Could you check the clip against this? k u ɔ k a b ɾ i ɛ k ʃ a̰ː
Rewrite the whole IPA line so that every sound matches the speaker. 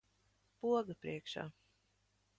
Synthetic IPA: p u ɔ ɡ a p ɾ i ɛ k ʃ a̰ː

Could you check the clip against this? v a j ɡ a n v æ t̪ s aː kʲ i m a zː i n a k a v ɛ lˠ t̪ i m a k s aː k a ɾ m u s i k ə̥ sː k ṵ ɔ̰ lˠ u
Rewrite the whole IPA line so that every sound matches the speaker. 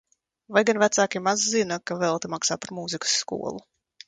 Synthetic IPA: v a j ɡ a n v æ t̪ s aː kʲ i m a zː i n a k a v ɛ lˠ t̪ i m a k s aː p a ɾ m u z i k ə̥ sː k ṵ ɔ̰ lˠ u

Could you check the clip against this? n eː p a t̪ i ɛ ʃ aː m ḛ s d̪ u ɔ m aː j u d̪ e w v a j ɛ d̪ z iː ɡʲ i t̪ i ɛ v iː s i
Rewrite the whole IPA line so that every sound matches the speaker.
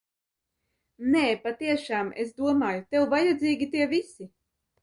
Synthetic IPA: n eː p a t̪ i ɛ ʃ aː m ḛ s d̪ u ɔ m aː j u t̪ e w v a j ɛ d̪ z iː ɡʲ i t̪ i ɛ v i s i

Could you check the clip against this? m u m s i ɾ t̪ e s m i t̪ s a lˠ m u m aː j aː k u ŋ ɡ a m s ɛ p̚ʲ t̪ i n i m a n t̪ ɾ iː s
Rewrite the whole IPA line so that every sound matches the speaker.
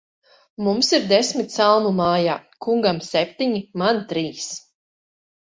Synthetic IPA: m u m s i ɾ d̪ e s m i t̪ s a lˠ m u m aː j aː k u ŋ ɡ a m s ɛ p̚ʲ t̪ i ɲ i m a n t̪ ɾ iː s

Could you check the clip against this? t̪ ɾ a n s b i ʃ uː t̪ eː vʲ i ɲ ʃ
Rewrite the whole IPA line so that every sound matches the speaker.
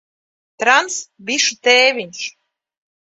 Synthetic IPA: t̪ ɾ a n s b i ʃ u t̪ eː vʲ i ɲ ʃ

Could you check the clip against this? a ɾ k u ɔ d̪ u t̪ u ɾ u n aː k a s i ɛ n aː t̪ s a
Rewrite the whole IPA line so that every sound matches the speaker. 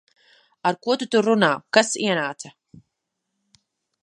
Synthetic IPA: a ɾ k u ɔ t̪ u t̪ u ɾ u n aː k a s i ɛ n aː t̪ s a

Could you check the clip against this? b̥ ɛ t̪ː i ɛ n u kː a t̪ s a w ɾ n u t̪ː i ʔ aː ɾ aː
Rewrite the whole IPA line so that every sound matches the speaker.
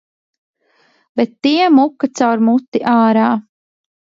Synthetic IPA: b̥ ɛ t̪ː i ɛ m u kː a t̪ s a w ɾ m u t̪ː i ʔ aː ɾ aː

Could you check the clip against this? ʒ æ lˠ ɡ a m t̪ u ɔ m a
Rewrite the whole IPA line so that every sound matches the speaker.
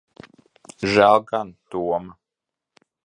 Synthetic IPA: ʒ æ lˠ ɡ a n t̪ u ɔ m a

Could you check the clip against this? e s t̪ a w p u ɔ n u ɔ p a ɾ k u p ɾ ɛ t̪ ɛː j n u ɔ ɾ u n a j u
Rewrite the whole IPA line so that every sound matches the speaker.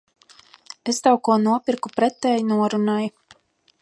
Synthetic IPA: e s t̪ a w k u ɔ n u ɔ p i ɾ k u p ɾ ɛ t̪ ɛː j n u ɔ ɾ u n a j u

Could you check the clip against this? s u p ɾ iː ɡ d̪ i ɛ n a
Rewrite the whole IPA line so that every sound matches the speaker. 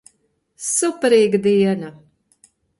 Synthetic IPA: s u p ɾ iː ɡ d̪ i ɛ n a

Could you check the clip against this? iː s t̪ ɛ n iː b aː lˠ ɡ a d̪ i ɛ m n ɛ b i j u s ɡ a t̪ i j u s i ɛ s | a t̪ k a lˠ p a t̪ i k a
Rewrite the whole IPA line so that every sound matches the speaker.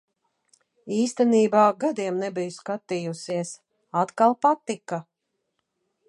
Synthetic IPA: iː s t̪ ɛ n iː b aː ɡ a d̪ i ɛ m n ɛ b i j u s k a t̪ i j u s i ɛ s | a t̪ k a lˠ p a t̪ i k a

